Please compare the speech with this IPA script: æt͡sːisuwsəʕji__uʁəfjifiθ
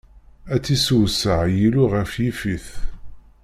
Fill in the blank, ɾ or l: l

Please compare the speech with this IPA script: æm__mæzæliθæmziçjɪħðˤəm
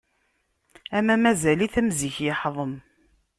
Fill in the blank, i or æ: æ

